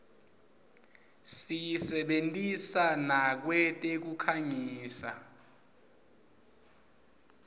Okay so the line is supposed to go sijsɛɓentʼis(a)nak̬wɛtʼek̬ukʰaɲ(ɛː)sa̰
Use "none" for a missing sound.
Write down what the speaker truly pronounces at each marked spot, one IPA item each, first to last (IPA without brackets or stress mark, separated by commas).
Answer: a, iː